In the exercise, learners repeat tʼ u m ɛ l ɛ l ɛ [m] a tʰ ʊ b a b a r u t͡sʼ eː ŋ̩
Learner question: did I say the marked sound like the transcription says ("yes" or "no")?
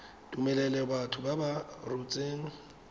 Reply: no